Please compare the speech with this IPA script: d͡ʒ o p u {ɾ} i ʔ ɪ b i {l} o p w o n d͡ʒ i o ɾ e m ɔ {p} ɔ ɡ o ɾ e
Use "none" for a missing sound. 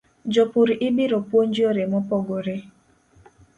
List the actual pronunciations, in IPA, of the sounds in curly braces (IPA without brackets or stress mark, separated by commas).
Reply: ɾ, ɾ, p